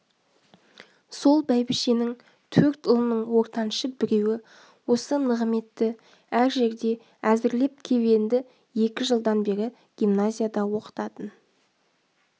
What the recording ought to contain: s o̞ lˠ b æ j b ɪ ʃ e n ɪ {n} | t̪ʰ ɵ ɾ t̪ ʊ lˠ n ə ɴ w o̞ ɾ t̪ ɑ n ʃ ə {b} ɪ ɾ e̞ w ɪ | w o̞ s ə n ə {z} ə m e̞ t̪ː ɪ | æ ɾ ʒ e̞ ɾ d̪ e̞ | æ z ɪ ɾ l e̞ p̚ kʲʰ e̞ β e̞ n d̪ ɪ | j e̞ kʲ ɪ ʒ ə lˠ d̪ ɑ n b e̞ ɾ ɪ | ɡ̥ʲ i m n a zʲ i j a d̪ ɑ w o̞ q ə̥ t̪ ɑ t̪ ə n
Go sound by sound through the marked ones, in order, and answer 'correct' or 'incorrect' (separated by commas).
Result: incorrect, correct, incorrect